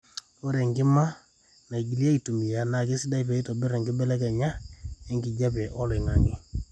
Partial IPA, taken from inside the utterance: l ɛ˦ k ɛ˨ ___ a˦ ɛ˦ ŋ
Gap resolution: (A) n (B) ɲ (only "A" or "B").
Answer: B